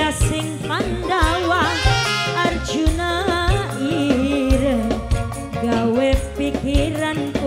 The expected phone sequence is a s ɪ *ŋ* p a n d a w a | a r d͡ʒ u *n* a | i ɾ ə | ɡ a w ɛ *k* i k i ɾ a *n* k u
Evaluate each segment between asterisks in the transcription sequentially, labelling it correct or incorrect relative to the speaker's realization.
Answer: correct, correct, incorrect, correct

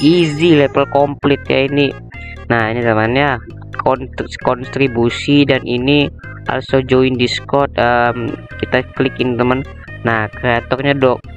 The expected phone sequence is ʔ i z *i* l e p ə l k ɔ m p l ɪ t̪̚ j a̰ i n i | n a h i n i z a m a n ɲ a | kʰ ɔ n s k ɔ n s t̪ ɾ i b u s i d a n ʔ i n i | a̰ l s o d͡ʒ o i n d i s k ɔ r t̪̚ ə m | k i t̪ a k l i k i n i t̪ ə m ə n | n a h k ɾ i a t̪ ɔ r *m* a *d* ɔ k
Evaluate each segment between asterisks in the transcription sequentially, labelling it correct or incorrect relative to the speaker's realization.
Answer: correct, incorrect, correct

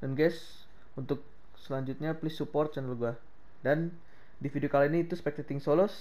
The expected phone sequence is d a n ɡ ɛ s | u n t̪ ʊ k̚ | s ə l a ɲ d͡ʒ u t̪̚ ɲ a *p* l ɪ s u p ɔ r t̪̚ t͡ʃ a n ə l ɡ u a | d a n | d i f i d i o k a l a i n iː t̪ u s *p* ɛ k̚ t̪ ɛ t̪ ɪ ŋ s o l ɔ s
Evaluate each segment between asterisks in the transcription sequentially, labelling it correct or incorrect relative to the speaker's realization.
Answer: correct, correct

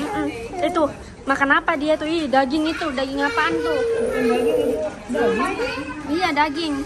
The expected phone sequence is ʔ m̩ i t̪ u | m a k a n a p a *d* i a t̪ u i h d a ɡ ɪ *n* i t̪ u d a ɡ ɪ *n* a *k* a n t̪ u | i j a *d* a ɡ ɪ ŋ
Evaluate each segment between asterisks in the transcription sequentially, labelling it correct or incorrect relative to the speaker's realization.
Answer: correct, incorrect, incorrect, incorrect, correct

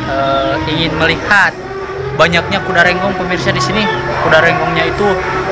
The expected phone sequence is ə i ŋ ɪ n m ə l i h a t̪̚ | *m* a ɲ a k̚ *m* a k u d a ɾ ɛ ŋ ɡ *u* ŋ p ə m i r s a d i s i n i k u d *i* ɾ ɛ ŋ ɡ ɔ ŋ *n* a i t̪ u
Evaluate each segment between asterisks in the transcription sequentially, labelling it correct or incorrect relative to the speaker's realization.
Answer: incorrect, incorrect, incorrect, incorrect, incorrect

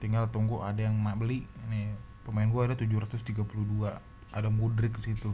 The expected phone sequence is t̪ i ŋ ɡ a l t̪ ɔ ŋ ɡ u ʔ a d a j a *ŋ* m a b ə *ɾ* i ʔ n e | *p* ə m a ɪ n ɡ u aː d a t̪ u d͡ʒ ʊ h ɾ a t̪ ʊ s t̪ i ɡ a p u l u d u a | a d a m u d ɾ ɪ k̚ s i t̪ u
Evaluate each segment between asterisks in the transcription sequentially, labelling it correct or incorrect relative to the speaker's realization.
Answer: correct, incorrect, correct

